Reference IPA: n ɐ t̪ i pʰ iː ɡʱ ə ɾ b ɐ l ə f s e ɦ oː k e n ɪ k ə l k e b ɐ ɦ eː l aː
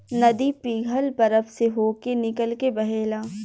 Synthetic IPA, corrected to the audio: n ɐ d̪ i p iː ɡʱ ə l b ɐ ɾ ə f s e ɦ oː k e n ɪ k ə l k e b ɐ ɦ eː l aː